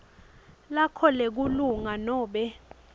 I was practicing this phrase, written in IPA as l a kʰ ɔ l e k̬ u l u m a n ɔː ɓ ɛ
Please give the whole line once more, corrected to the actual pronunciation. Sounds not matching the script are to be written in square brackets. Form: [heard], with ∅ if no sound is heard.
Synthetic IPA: l a kʰ ɔ l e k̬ u l u [ŋ] a n ɔː ɓ ɛ